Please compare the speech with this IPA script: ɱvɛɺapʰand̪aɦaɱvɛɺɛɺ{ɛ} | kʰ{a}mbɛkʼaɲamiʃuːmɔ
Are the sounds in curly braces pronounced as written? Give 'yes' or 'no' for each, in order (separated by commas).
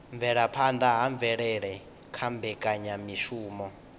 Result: yes, yes